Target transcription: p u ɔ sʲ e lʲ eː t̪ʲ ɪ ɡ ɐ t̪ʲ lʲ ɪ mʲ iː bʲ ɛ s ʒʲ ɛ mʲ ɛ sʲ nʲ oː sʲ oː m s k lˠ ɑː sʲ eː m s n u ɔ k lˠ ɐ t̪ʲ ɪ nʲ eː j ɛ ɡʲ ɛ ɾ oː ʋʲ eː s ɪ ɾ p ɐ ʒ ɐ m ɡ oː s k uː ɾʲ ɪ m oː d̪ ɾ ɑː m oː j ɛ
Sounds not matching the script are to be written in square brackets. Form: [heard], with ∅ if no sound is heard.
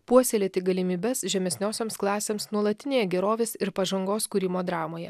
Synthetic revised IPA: p u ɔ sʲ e lʲ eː t̪ʲ ɪ ɡ ɐ [∅] lʲ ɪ mʲ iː bʲ ɛ s ʒʲ ɛ mʲ ɛ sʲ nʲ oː sʲ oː m s k lˠ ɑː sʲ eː m s n u ɔ [∅] lˠ ɐ t̪ʲ ɪ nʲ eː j ɛ ɡʲ ɛ ɾ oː ʋʲ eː s ɪ ɾ p ɐ ʒ ɐ [ŋ] ɡ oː s k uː ɾʲ ɪ m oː d̪ ɾ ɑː m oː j ɛ